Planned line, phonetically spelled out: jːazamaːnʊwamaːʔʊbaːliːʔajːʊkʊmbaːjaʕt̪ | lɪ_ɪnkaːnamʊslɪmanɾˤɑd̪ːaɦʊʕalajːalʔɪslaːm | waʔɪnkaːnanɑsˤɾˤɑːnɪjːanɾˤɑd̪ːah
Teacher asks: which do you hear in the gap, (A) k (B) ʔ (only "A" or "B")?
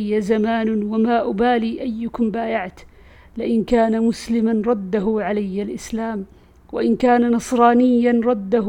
B